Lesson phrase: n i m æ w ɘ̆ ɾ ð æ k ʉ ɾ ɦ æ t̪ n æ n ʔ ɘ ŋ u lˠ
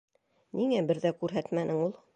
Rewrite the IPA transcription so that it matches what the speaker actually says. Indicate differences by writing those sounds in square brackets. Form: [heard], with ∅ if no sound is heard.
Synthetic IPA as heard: n i [ŋ] æ [b] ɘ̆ ɾ ð æ k ʉ ɾ ɦ æ t̪ [m] æ n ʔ ɘ ŋ u lˠ